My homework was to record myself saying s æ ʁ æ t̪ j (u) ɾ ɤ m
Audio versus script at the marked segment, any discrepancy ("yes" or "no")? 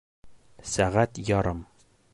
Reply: yes